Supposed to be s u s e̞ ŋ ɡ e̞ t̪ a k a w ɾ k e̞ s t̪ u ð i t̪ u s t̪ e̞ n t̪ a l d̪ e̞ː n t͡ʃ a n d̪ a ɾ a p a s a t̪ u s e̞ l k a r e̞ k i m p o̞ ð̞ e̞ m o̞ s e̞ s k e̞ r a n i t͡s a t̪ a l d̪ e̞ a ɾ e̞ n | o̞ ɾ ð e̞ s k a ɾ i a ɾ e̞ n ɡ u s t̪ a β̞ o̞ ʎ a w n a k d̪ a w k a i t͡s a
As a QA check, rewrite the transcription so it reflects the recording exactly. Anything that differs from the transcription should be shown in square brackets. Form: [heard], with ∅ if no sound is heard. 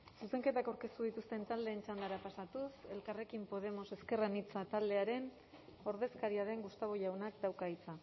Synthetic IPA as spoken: s u s e̞ ŋ [k] e̞ t̪ a k a w ɾ k e̞ s t̪ u ð i t̪ u s t̪ e̞ n t̪ a l d̪ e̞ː n t͡ʃ a n d̪ a ɾ a p a s a t̪ u s e̞ l k a r e̞ k i m p o̞ ð̞ e̞ m o̞ s e̞ s k e̞ r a n i t͡s a t̪ a l d̪ e̞ a ɾ e̞ n | o̞ ɾ ð e̞ s k a ɾ i a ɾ e̞ [ŋ] ɡ u s t̪ a β̞ o̞ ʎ a w n a k d̪ a w k a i t͡s a